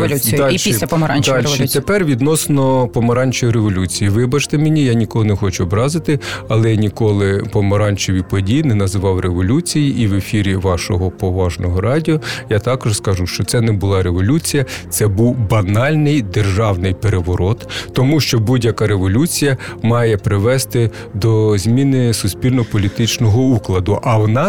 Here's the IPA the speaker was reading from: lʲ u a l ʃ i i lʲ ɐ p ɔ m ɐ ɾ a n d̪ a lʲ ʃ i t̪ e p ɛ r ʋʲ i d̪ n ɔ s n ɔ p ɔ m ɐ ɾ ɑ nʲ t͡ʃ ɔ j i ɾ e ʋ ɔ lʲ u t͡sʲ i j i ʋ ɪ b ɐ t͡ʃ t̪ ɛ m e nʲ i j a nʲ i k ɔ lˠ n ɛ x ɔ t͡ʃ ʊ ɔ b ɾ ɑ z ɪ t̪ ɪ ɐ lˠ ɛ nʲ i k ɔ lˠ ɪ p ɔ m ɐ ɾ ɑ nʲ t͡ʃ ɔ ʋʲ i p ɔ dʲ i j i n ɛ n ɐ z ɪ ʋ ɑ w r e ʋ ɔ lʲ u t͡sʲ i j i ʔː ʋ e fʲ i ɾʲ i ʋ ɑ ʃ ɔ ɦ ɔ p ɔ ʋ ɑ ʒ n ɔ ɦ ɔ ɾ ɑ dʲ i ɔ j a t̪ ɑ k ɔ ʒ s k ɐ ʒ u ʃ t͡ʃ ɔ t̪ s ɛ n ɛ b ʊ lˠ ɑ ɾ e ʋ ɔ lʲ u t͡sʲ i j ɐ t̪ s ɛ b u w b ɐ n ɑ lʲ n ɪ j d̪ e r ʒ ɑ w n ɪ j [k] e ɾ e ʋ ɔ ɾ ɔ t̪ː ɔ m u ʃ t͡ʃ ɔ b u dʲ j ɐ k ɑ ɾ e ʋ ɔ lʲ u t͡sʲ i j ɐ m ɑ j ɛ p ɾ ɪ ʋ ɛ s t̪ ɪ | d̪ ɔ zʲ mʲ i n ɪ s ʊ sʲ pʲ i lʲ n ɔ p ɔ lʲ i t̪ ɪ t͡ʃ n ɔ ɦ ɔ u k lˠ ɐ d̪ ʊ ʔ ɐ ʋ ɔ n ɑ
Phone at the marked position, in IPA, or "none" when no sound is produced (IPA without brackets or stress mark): p